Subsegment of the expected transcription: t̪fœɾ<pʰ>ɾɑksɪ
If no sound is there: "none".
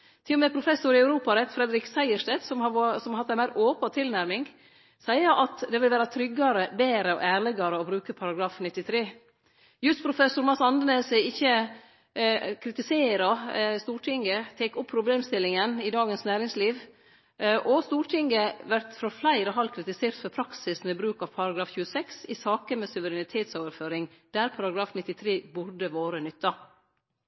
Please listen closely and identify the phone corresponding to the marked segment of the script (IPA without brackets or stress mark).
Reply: pʰ